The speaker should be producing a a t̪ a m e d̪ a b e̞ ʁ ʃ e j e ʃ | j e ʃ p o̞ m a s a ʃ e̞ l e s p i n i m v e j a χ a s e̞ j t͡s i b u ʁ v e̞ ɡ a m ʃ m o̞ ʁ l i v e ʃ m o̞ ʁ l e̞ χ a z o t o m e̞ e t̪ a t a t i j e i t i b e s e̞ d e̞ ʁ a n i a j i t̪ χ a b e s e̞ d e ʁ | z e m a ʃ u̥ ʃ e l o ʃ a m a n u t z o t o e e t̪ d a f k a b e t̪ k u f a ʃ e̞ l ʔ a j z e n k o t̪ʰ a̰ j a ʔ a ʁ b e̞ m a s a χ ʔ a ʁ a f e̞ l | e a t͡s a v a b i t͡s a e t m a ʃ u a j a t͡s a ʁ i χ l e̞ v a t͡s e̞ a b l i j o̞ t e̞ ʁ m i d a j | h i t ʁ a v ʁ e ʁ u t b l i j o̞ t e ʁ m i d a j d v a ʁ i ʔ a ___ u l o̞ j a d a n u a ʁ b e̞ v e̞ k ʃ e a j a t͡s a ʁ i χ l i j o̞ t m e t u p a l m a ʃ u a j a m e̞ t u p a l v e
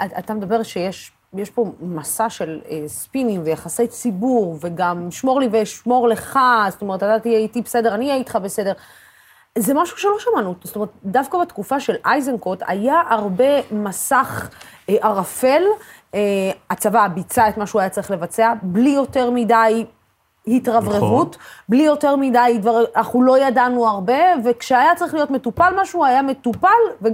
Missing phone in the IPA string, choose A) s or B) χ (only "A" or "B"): B